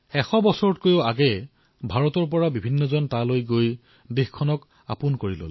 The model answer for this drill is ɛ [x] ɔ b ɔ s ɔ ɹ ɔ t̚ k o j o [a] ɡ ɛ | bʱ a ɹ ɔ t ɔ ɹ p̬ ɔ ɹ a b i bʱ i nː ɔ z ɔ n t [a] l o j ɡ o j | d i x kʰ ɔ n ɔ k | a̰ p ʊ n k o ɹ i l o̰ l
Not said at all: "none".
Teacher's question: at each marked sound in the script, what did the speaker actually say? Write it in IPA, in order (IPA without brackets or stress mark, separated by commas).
x, a, a